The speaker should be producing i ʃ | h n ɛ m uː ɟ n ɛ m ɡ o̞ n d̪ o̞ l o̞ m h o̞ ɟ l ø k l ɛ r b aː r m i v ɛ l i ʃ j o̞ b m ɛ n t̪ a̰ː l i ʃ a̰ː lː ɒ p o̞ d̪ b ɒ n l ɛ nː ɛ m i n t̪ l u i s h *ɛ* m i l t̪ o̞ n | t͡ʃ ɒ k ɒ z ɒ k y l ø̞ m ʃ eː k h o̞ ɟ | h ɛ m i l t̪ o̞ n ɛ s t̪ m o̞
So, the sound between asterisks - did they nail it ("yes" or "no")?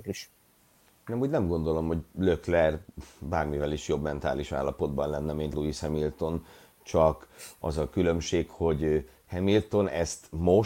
yes